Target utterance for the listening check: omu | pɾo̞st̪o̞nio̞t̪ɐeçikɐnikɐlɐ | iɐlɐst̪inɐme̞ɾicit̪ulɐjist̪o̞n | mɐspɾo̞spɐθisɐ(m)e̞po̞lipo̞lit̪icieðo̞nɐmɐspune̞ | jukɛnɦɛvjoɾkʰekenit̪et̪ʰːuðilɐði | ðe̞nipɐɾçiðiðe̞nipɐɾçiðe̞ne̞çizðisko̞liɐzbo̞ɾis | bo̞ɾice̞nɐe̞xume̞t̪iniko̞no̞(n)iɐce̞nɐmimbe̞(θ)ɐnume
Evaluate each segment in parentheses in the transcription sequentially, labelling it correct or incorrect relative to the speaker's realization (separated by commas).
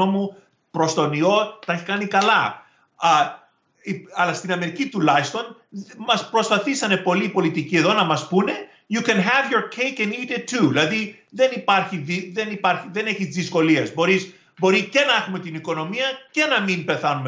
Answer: incorrect, incorrect, correct